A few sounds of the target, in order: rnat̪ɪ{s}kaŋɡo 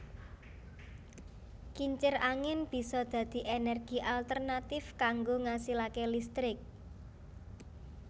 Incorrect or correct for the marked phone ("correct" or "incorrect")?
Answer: incorrect